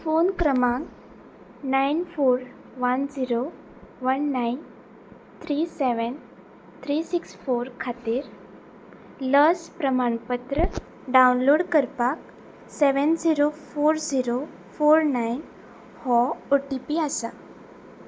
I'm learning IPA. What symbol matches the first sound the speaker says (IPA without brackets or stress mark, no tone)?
f